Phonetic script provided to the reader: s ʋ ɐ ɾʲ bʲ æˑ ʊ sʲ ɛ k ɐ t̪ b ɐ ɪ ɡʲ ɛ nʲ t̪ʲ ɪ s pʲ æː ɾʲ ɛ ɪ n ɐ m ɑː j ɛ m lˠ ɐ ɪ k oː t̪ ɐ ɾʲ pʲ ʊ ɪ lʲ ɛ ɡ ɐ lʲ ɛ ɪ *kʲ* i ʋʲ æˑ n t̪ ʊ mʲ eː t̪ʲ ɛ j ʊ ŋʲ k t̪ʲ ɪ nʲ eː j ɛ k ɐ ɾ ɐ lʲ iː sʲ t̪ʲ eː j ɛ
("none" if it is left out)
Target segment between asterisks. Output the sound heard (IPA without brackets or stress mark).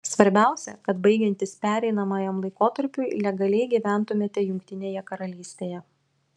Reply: ɡʲ